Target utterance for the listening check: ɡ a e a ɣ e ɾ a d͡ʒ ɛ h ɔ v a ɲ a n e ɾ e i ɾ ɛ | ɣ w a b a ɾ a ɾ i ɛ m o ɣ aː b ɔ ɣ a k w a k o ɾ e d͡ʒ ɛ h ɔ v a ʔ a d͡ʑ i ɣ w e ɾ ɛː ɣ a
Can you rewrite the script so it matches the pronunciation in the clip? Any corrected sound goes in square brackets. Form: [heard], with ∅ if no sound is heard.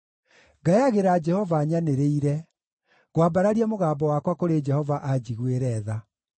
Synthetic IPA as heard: ɡ a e a ɣ e ɾ a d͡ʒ ɛ h ɔ v a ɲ a n e ɾ e i ɾ ɛ | ɣ w a b a ɾ a ɾ i ɛ m o ɣ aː b ɔ [w] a k w a k o ɾ e d͡ʒ ɛ h ɔ v a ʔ a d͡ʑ i ɣ w e ɾ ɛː [ð] a

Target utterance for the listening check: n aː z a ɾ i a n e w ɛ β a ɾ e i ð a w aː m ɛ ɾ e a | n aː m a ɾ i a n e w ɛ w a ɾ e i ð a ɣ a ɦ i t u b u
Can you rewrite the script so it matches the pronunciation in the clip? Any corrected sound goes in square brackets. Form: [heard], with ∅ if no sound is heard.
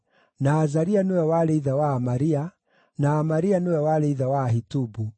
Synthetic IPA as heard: n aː z a ɾ i a n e w ɛ [w] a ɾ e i ð a w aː m [a] ɾ [i] a | n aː m a ɾ i a n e w ɛ w a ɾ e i ð a [w] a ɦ i t u b u

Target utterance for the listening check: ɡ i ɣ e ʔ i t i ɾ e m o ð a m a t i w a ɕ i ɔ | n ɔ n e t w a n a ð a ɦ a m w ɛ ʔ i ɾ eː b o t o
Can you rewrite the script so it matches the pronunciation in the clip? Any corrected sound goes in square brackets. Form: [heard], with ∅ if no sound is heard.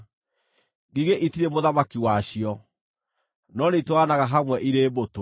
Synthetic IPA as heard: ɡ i ɣ e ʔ i t i ɾ e m o ð a m a [k] i w a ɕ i ɔ | n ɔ n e t w a n a [ɣ] a ɦ a m w ɛ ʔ i ɾ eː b o t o

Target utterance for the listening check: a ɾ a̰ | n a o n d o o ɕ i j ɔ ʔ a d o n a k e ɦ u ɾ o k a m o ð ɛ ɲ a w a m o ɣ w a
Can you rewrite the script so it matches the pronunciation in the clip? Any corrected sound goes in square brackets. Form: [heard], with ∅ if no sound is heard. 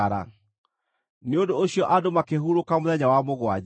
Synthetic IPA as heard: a ɾ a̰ | n [e] o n d o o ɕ i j ɔ ʔ a d o [m] a k e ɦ u ɾ o k a m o ð ɛ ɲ a w a m o ɣ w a

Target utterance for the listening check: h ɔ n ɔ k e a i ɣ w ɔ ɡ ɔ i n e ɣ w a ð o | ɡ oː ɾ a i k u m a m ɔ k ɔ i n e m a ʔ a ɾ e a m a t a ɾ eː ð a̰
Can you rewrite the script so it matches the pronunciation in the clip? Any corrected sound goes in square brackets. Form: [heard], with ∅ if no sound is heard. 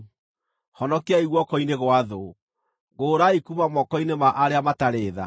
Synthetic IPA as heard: h ɔ n ɔ k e a i ɣ w ɔ [k] ɔ i n e ɣ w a ð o | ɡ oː ɾ a i k u m a m ɔ k ɔ i n e m a ʔ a ɾ e a m a t a ɾ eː ð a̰

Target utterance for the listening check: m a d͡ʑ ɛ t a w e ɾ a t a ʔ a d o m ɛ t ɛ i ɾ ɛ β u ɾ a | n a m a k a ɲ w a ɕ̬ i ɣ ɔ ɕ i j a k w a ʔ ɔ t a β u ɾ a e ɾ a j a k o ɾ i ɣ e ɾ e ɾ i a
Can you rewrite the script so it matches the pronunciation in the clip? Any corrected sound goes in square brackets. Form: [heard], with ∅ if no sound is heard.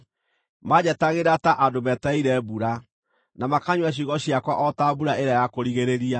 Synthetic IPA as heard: m a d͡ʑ ɛ t a [ɣ] e ɾ a t a ʔ a d o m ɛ t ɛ i ɾ ɛ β u ɾ a | n a m a k a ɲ w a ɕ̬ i ɣ ɔ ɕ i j a k w a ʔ ɔ t a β u ɾ a e ɾ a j a k o ɾ i ɣ e ɾ e ɾ i a

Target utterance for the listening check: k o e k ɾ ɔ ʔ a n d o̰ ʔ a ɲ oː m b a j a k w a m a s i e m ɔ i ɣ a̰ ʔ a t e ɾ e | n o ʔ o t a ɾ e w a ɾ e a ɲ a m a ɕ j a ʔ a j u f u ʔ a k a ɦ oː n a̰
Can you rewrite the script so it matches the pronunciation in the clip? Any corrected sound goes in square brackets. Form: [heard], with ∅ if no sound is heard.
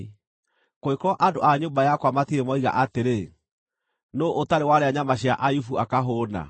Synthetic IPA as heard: k o e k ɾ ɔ ʔ a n d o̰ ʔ a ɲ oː m b a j a k w a m a [t] i e m ɔ i ɣ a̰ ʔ a t e ɾ e | n o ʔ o t a ɾ e w a ɾ e a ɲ a m a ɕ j a ʔ a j u f u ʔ a k a ɦ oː n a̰

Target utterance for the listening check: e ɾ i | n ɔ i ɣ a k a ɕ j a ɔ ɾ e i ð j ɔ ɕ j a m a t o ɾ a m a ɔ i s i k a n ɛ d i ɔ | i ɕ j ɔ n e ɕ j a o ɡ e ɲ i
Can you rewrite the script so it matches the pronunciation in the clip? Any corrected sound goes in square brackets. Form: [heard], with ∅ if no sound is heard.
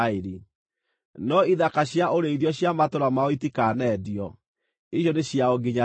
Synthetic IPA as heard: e ɾ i | n ɔ i [ð] a k a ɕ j a [o] ɾ e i ð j ɔ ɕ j a m a t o ɾ a m a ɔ i [t] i k a n ɛ d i ɔ | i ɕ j ɔ n e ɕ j a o ɡ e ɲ [a]

